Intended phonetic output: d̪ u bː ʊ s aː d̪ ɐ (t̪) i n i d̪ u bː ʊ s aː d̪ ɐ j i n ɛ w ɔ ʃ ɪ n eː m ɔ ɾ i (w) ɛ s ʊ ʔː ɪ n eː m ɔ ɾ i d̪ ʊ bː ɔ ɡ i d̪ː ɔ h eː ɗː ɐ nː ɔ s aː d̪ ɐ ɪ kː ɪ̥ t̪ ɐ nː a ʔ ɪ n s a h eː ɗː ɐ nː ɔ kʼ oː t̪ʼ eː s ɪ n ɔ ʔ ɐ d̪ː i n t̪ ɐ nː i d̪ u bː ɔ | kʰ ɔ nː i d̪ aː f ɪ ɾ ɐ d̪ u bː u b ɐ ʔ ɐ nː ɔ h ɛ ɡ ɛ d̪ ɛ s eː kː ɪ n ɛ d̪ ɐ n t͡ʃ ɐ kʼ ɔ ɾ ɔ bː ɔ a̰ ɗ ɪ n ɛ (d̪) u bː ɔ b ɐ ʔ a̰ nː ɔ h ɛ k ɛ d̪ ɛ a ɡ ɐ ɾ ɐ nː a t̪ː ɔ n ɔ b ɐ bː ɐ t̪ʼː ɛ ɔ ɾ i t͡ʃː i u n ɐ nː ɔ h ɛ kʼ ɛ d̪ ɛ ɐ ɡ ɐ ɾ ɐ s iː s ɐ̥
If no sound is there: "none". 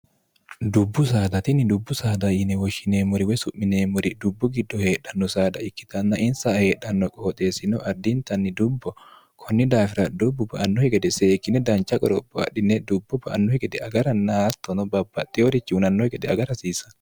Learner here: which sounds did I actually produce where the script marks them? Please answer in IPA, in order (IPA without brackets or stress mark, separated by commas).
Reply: t̪, w, d̪